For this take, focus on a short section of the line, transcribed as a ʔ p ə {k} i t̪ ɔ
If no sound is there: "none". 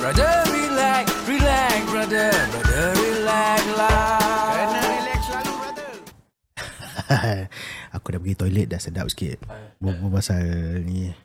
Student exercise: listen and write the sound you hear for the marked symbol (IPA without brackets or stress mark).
ɡ